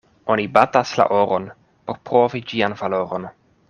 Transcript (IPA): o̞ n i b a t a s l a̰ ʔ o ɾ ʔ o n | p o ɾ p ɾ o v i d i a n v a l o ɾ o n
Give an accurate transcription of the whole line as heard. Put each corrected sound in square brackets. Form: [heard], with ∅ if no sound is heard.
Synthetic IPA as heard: o̞ n i b a t a s l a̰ ʔ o ɾ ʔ o n | p o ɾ p ɾ o v i [d͡ʒ] i a n v a l o ɾ o n